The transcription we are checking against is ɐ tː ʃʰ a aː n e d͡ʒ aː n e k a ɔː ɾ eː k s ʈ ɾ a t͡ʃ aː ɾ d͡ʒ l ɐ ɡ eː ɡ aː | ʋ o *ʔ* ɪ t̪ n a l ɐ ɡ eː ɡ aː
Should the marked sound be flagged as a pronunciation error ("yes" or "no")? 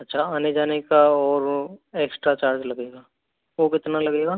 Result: yes